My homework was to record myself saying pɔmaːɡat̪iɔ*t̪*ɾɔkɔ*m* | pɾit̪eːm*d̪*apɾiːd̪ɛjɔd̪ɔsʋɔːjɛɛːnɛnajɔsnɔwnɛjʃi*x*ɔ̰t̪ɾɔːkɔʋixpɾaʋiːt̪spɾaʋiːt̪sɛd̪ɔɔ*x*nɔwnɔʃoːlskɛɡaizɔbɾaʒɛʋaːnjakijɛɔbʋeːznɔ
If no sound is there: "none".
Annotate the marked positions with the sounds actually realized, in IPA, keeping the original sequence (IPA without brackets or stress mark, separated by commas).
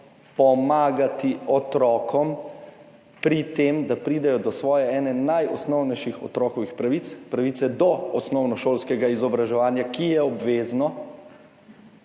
t̪, m, d̪, x, s